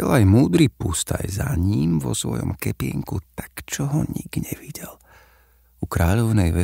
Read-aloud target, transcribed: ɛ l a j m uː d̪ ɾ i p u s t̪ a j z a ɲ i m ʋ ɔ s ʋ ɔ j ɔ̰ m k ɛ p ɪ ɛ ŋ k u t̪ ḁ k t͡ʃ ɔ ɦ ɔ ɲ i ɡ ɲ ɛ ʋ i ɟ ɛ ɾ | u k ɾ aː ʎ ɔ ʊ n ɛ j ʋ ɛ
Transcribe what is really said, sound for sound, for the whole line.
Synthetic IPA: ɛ l a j m uː d̪ ɾ i p u s t̪ a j z a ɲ i m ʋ ɔ s ʋ ɔ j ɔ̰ m k ɛ p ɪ ɛ ŋ k u t̪ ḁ k t͡ʃ ɔ ɦ ɔ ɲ i ɡ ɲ ɛ ʋ i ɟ ɛ l | u k ɾ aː ʎ ɔ ʊ n ɛ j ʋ ɛ